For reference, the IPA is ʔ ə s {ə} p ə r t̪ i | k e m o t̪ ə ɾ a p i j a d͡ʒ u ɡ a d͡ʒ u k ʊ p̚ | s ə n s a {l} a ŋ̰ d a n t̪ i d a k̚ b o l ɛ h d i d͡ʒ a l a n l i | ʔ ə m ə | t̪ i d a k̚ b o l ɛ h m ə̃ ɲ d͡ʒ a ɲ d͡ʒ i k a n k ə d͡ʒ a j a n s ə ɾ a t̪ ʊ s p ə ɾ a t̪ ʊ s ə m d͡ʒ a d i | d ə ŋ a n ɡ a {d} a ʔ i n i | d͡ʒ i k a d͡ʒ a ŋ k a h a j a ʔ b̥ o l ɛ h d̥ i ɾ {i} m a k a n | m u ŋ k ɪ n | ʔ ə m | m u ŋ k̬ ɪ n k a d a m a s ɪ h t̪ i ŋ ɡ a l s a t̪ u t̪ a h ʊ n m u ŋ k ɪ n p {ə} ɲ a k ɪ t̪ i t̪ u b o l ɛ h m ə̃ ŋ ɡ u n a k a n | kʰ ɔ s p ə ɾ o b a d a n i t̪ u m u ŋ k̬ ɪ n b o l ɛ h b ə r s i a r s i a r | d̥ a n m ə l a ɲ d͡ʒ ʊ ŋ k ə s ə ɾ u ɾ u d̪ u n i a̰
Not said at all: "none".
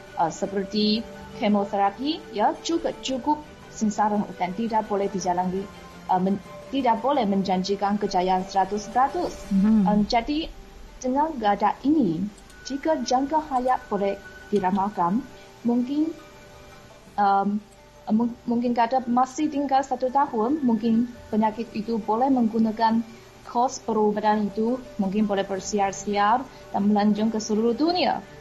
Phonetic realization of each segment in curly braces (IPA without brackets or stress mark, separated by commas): ə, ɾ, d, a, ə